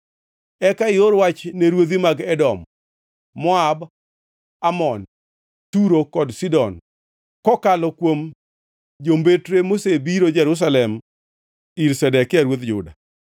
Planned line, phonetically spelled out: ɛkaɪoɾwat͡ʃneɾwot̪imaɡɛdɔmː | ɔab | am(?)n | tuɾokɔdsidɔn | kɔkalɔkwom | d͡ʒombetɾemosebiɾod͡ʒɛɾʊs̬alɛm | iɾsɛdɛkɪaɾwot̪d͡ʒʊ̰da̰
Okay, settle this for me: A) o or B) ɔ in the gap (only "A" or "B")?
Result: B